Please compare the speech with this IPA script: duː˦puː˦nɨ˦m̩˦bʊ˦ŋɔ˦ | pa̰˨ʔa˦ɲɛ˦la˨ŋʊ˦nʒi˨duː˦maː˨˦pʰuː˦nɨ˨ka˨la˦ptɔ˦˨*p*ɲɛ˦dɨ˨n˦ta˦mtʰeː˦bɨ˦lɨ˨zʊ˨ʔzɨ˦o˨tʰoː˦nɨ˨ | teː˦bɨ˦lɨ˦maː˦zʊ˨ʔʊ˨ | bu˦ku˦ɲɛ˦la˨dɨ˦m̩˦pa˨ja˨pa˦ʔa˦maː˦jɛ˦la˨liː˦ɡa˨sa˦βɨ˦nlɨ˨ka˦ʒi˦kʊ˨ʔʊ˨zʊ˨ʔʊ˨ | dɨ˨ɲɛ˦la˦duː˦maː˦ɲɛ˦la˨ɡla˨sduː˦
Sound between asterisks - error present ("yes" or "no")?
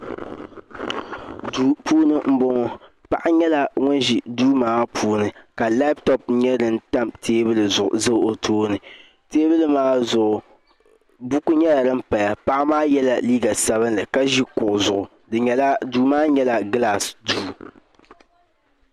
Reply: no